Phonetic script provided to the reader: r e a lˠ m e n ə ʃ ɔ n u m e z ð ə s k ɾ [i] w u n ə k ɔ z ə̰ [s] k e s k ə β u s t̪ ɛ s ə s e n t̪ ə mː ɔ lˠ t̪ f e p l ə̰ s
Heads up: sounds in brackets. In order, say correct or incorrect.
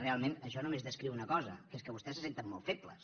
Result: correct, incorrect

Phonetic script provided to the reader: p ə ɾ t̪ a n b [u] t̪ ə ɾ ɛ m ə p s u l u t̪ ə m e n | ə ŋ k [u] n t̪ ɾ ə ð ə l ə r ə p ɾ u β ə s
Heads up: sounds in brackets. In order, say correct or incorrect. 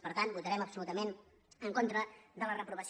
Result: correct, incorrect

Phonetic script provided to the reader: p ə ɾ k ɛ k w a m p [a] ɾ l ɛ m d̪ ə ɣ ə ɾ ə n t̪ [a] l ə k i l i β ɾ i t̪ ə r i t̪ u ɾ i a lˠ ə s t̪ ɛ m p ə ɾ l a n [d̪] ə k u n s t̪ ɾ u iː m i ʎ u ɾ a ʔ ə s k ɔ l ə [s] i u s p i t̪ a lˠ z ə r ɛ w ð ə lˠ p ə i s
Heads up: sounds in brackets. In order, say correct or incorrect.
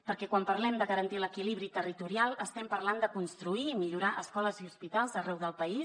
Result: incorrect, incorrect, correct, incorrect

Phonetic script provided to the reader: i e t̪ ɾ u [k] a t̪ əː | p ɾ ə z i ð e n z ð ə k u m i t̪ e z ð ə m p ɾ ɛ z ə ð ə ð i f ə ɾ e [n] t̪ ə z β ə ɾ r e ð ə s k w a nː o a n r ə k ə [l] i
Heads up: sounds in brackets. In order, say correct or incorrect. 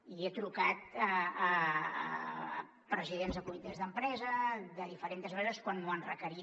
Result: correct, correct, incorrect

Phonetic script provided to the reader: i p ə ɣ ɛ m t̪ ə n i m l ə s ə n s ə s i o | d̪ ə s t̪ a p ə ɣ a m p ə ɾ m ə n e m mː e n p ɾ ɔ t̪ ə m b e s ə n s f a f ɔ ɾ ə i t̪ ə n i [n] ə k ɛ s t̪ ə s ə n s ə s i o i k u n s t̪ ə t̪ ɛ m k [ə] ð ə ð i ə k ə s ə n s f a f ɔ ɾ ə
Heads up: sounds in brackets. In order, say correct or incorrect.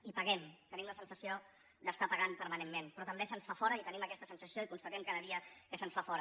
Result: incorrect, incorrect

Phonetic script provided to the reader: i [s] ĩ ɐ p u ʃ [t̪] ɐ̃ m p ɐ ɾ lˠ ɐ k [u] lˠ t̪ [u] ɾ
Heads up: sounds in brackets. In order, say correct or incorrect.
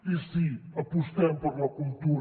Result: correct, correct, correct, correct

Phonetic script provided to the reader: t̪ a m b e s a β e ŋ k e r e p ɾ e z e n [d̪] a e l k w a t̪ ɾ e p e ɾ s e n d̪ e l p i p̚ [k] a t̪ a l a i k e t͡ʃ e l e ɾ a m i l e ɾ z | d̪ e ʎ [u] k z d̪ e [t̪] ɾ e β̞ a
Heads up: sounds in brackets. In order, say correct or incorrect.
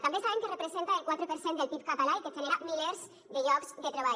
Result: incorrect, correct, incorrect, correct

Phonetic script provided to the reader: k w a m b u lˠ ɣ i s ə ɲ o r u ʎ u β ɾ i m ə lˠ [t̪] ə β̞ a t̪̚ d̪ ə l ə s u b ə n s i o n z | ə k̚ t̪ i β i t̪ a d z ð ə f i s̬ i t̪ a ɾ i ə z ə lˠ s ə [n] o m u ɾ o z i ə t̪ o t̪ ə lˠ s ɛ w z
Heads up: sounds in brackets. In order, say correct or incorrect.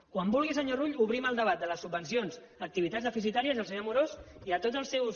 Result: incorrect, incorrect

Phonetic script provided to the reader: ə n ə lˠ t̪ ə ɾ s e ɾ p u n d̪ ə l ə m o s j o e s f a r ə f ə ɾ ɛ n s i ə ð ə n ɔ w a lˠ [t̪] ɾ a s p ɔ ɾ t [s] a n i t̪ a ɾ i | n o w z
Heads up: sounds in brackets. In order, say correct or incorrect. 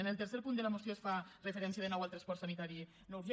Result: correct, correct

